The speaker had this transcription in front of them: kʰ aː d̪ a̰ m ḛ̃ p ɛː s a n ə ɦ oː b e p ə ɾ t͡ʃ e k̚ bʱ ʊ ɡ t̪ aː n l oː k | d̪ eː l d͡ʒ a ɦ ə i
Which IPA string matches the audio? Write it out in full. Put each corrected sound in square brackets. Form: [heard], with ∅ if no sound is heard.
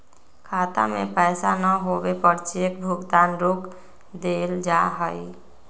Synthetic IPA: kʰ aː [t̪] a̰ m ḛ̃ p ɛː s a n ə ɦ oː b e p ə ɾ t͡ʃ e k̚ bʱ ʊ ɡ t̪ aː n [ɾ] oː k | d̪ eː l d͡ʒ a ɦ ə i